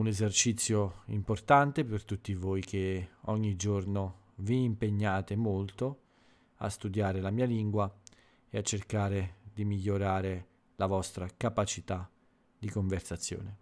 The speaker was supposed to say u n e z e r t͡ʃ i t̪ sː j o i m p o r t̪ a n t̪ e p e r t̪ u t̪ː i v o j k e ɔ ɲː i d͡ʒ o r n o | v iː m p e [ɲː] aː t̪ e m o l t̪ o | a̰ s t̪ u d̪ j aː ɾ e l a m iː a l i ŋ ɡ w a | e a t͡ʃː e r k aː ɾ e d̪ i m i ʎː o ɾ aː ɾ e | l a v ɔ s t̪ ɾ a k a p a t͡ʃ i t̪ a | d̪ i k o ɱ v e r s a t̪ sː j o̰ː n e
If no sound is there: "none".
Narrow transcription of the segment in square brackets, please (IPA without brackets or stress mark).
ɲː